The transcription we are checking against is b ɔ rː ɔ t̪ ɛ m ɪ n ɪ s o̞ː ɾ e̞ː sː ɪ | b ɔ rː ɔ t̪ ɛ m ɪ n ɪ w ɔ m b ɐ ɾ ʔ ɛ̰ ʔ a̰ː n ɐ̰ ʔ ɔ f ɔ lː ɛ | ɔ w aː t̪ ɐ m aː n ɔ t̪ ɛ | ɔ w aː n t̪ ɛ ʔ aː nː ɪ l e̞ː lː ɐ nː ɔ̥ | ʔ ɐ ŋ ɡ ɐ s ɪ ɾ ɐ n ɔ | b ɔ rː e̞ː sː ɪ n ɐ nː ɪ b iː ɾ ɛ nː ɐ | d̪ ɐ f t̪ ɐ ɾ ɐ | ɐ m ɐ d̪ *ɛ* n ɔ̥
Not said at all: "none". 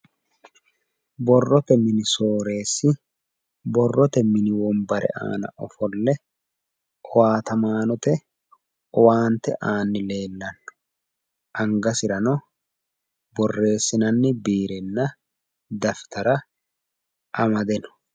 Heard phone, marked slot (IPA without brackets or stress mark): ɛ